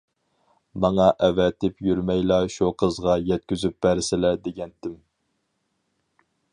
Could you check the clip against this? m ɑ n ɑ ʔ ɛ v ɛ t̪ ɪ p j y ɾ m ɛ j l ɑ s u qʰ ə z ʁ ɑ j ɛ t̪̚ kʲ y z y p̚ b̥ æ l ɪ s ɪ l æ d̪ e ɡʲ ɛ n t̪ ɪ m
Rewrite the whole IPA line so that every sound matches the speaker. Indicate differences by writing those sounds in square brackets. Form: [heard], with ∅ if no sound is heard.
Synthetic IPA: m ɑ [ŋ] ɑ ʔ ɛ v ɛ t̪ ɪ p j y ɾ m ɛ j l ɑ [ʃ] u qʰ ə z ʁ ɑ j ɛ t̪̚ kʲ y z y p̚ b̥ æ [ɾ] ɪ s ɪ l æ d̪ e ɡʲ ɛ n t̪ ɪ m